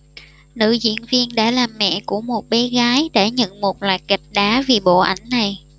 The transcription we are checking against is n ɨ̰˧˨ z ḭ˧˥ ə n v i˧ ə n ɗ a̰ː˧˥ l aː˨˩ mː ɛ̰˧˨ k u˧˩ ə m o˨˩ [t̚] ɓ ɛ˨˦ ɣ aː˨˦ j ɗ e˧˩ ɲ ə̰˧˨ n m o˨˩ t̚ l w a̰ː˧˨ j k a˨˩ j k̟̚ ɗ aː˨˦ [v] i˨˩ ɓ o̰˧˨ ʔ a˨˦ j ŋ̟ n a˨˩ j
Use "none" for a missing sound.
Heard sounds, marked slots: t̚, v

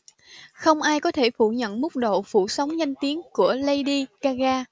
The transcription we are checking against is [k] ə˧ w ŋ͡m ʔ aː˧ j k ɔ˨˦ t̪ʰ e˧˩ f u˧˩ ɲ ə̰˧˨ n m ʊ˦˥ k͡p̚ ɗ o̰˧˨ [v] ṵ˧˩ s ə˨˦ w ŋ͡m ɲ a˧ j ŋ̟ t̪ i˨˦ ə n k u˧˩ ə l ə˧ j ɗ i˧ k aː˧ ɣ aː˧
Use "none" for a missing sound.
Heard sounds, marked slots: x, f

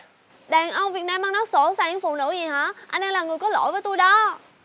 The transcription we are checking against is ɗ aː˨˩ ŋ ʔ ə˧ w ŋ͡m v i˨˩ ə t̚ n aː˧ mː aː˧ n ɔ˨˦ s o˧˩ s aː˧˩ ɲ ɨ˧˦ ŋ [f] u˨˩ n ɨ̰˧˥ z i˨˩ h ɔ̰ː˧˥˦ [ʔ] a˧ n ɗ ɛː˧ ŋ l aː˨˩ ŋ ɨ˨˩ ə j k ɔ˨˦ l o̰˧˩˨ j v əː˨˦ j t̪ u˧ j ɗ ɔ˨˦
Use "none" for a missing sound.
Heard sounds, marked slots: f, ʔ

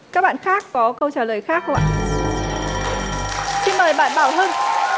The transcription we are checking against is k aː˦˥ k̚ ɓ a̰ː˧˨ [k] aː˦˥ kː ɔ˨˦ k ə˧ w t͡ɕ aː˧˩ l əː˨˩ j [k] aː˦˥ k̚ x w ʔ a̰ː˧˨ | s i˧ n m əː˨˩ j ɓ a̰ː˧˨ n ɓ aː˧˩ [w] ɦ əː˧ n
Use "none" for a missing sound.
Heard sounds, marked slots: x, x, w

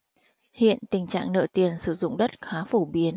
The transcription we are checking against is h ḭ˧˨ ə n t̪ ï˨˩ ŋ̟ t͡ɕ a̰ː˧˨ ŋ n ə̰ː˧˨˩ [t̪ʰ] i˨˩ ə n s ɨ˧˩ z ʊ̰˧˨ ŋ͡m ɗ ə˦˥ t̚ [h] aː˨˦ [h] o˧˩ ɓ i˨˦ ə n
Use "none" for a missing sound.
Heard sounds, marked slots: t̪, x, f

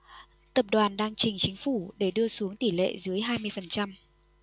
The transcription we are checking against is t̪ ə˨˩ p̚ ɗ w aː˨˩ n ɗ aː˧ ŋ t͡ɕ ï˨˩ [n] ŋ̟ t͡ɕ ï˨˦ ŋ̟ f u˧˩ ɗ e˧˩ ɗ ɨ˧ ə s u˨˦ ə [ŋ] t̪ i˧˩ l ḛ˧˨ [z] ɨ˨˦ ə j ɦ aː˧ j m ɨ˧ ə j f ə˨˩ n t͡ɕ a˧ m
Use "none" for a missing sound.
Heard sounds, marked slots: none, ŋ, z

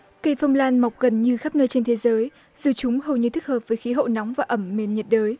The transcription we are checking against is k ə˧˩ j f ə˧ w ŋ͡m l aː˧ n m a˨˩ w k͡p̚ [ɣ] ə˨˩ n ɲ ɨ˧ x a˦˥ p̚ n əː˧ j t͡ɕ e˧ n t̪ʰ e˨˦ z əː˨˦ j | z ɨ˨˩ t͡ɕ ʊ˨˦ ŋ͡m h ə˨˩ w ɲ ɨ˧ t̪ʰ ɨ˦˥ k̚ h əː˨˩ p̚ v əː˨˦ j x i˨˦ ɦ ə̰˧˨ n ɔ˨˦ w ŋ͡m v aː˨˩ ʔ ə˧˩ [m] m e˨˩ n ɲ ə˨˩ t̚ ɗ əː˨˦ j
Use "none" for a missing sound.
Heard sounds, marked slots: ɣ, m

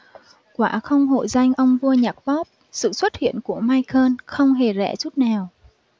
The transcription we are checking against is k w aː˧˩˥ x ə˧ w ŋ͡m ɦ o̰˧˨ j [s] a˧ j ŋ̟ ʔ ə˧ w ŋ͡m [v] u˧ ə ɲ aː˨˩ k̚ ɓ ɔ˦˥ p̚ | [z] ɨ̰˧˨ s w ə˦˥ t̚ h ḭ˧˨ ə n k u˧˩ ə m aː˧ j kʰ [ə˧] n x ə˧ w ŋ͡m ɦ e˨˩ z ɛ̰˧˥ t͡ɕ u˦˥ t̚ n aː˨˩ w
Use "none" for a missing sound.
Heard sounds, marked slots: z, v, s, əː˧

